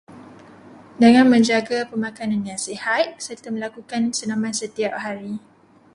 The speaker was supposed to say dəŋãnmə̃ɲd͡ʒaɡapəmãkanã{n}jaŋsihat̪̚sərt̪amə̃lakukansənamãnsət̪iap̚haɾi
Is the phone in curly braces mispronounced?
no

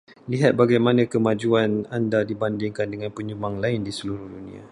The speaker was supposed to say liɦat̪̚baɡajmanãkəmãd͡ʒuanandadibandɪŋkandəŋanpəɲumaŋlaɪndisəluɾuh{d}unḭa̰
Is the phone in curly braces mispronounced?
no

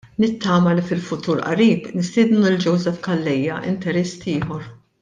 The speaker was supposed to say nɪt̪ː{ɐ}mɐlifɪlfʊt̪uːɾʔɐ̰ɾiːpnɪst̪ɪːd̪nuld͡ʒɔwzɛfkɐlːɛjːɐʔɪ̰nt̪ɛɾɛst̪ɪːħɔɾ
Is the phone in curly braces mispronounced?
yes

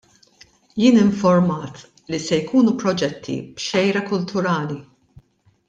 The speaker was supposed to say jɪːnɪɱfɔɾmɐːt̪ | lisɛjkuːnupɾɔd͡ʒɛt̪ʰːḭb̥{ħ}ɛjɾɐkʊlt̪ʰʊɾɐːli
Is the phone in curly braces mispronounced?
yes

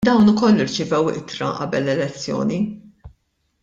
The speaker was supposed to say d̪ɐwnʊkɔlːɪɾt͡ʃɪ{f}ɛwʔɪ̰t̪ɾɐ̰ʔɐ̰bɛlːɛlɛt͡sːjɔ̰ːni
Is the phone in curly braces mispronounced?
yes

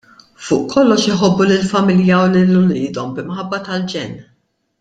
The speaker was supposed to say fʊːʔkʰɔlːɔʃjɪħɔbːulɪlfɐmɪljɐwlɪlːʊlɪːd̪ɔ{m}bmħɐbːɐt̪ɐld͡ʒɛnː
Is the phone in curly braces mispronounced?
no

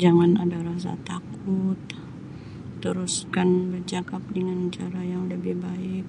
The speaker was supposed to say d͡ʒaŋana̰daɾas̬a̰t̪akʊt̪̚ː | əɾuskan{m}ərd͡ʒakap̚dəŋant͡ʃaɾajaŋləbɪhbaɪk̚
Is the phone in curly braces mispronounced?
yes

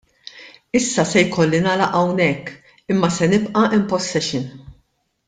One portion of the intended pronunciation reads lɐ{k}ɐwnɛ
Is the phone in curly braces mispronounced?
yes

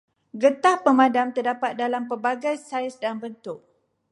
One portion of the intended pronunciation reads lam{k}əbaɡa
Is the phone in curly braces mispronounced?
yes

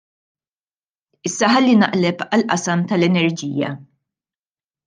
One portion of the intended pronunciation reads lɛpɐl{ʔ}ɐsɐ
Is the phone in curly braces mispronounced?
no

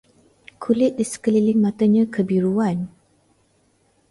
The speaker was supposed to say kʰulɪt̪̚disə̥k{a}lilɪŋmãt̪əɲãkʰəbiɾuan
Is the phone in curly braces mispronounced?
yes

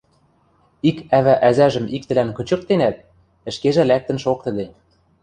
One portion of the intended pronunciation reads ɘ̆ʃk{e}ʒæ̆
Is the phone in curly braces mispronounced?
no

